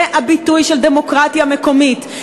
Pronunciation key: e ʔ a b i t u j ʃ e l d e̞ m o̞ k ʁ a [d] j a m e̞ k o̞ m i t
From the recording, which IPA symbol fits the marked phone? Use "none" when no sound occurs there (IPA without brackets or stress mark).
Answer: t